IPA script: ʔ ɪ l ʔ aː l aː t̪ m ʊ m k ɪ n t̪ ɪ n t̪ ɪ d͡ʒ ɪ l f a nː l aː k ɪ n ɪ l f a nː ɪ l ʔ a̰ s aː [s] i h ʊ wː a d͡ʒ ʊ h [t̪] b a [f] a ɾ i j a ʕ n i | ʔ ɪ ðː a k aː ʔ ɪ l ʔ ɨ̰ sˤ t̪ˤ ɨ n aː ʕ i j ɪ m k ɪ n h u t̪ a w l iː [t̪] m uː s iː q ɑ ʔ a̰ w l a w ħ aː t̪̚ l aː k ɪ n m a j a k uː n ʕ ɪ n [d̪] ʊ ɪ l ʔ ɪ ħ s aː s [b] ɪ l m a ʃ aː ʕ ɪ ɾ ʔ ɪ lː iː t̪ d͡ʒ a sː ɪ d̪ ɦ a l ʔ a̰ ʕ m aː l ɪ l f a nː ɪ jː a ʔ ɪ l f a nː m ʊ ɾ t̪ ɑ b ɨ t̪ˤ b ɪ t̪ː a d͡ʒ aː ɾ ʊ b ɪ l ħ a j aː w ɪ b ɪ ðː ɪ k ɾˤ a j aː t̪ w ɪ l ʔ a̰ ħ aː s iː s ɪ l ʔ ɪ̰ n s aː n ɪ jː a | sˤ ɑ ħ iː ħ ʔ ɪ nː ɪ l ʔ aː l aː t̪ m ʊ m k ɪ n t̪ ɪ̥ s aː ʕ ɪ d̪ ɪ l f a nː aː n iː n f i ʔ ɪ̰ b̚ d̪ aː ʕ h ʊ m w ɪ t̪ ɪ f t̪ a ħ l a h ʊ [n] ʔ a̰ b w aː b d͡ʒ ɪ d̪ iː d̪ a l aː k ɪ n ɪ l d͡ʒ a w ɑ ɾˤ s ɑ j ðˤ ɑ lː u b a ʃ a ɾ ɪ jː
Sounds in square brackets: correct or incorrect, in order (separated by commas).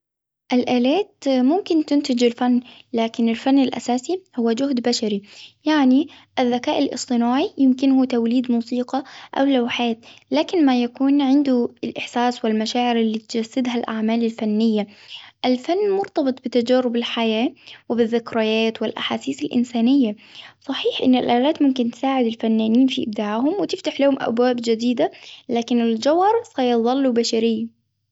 correct, incorrect, incorrect, incorrect, correct, incorrect, incorrect